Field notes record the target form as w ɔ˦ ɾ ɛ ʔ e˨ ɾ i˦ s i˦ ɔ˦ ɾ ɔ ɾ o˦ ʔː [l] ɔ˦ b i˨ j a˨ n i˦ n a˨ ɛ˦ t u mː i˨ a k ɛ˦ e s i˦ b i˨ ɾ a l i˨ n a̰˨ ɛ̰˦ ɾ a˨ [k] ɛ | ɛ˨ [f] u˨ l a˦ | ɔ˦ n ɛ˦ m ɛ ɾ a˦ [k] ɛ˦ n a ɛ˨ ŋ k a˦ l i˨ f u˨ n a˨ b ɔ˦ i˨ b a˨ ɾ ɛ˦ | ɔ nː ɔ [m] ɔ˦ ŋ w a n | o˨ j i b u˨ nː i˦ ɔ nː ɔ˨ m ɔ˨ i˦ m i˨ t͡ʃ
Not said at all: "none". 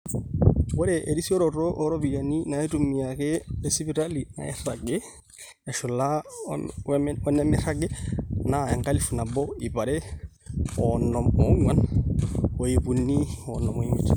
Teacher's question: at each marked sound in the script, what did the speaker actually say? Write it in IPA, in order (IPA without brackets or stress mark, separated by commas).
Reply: ɾ, ɡ, ʃ, ɡ, m